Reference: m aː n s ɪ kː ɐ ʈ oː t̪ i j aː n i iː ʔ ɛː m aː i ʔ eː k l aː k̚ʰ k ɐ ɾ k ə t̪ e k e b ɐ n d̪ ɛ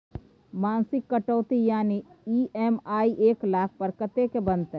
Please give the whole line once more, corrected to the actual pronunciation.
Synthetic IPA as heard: m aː n s ɪ kː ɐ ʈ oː t̪ i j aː n i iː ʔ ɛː m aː i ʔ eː k l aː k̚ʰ p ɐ ɾ k ə t̪ e k e b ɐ n t̪ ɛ